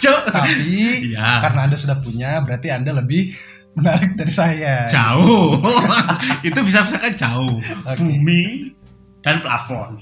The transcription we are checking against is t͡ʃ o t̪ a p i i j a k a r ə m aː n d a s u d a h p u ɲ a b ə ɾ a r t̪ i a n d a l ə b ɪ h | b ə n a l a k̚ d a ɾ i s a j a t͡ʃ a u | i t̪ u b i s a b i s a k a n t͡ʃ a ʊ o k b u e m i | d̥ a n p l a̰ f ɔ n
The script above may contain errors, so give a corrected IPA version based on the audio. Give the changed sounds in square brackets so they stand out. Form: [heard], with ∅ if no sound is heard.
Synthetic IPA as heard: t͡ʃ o t̪ a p i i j a k a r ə [n] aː n d a s u d a h p u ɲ a b ə ɾ a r t̪ i a n d a l ə b ɪ h | [m] ə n a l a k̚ d a ɾ i s a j a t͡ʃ a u | i t̪ u b i s a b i s a k a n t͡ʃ a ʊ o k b u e m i | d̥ a n p l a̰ f ɔ n